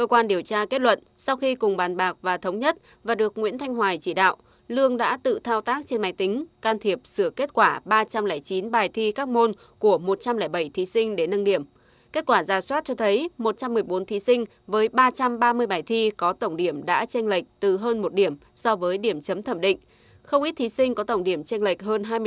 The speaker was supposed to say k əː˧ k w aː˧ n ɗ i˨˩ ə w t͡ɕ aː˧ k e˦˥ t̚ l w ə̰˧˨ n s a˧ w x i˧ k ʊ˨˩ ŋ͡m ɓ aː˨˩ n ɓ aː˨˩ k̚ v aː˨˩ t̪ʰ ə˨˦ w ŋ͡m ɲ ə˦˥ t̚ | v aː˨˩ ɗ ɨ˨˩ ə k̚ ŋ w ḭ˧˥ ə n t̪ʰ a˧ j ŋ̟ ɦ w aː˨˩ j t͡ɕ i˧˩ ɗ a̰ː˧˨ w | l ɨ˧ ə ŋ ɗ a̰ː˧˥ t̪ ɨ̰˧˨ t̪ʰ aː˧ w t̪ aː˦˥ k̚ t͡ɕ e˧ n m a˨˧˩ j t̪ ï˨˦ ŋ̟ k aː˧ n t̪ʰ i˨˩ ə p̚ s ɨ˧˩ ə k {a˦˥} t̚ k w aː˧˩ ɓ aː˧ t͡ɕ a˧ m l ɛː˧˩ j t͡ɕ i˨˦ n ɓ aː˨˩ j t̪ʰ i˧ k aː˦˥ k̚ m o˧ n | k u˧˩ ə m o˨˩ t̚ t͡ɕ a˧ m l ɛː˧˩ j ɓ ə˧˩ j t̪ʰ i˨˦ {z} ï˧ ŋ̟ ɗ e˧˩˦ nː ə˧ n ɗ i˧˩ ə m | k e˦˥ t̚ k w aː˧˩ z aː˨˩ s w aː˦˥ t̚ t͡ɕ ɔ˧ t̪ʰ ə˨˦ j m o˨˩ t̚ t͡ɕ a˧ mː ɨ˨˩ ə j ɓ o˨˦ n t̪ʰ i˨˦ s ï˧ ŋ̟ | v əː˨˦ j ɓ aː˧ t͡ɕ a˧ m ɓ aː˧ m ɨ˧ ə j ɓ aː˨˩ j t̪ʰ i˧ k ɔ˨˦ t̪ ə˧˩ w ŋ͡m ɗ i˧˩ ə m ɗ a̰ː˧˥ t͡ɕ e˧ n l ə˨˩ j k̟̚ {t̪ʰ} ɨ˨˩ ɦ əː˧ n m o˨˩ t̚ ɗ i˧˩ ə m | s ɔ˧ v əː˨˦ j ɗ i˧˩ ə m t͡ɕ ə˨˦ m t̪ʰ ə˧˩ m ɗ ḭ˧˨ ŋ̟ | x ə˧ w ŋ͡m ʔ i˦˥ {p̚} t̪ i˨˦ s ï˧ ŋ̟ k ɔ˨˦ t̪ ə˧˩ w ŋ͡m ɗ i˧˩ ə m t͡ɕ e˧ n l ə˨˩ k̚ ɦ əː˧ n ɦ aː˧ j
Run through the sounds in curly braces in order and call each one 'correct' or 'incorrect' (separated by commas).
incorrect, incorrect, incorrect, incorrect